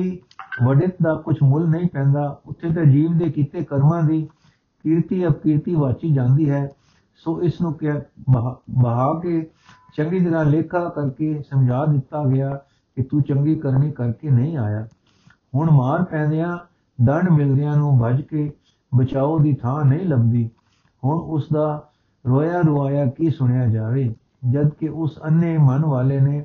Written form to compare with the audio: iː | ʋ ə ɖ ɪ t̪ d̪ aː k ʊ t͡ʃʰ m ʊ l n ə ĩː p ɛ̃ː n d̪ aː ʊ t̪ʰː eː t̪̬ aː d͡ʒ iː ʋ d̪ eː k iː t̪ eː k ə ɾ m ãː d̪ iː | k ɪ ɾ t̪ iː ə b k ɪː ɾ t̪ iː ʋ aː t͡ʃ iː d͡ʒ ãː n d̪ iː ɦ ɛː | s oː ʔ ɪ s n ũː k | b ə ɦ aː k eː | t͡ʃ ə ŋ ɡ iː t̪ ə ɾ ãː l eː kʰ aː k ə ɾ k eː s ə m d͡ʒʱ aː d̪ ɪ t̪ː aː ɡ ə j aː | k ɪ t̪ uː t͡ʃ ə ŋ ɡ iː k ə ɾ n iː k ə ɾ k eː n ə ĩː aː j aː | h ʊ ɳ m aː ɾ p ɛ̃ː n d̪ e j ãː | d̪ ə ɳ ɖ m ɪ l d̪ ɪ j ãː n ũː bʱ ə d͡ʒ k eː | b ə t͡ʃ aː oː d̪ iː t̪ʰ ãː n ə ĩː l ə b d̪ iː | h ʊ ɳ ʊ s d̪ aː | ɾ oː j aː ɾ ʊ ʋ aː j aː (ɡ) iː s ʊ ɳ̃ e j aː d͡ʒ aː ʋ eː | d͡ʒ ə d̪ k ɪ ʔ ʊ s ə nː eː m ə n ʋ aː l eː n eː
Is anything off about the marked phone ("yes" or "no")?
yes